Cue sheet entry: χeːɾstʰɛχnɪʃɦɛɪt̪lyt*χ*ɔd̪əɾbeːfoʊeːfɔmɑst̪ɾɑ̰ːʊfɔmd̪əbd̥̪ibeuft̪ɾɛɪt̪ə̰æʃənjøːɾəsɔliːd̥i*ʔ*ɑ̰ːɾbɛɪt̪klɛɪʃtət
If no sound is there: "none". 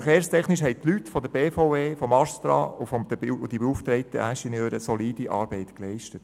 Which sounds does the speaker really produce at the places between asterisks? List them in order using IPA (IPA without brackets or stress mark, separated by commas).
f, ʔ